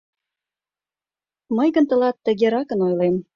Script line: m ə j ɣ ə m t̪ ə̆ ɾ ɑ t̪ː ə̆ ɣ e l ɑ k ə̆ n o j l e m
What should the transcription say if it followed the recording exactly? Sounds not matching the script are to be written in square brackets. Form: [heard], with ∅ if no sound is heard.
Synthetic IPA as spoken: m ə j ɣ ə [n] t̪ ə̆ [l] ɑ t̪ː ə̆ ɣ e [ɾ] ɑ k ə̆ n o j l e m